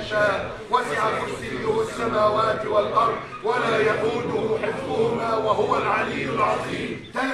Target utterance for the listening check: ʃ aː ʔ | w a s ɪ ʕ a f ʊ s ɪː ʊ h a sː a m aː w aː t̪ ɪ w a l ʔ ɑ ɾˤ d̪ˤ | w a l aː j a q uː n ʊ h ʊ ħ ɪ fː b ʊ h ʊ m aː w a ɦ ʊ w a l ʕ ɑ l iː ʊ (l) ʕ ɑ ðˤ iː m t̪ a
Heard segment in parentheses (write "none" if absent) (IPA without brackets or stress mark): l